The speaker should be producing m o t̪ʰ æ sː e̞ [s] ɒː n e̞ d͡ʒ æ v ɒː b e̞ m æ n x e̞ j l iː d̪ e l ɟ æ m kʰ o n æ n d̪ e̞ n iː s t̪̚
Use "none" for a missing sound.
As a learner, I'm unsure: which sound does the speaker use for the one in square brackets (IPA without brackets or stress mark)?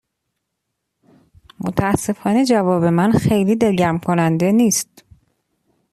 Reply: f